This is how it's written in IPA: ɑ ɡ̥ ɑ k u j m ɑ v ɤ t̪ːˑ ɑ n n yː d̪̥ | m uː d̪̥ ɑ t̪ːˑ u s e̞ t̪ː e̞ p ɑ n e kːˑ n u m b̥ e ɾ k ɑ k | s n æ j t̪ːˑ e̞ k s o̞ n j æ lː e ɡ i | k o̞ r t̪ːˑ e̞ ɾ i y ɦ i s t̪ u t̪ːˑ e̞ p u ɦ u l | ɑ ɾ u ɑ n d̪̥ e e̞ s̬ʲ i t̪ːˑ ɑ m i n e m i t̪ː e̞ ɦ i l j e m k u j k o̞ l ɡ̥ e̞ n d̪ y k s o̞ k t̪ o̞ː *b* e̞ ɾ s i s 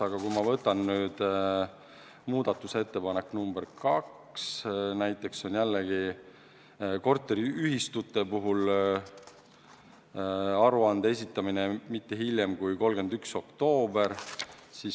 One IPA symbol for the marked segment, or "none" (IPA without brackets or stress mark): b